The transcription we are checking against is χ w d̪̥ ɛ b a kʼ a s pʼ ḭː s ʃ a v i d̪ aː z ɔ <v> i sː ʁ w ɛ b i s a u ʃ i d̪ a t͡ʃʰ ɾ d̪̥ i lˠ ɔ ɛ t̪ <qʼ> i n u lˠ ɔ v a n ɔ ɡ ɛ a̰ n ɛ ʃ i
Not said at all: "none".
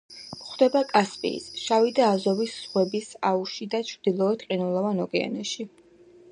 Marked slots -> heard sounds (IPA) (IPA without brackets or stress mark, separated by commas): v, qʼ